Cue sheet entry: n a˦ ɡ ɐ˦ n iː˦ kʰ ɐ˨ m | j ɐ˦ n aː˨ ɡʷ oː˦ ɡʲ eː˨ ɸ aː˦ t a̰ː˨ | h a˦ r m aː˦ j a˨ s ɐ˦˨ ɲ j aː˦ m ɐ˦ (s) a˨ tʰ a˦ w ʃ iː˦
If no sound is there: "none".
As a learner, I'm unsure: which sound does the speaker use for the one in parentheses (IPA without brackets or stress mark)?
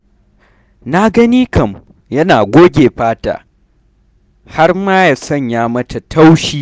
t